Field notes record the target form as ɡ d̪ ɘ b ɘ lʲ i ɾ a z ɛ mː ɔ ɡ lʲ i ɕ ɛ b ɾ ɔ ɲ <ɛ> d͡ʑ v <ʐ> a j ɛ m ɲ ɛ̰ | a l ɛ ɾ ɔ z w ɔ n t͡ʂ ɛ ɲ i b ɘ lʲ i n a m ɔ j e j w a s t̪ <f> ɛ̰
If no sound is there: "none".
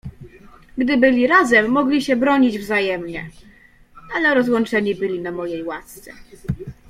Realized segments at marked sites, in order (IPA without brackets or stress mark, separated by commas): i, z, s